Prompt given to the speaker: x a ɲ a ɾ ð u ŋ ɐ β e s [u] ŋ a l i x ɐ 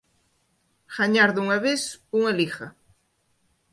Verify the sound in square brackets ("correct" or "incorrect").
correct